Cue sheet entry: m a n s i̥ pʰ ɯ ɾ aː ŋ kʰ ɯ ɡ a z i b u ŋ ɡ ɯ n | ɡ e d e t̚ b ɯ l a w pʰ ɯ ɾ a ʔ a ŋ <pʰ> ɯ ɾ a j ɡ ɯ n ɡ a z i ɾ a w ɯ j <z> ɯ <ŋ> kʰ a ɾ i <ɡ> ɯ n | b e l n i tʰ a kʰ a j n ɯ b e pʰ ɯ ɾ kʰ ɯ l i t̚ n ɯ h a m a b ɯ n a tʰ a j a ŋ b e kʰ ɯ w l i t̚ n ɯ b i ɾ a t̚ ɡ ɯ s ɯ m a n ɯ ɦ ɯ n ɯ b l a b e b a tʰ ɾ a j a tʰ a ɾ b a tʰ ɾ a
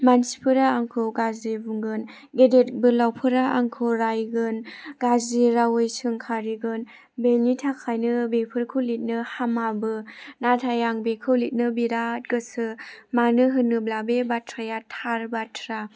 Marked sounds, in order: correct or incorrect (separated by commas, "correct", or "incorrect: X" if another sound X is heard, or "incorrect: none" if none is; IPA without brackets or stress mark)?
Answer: incorrect: kʰ, incorrect: s, correct, correct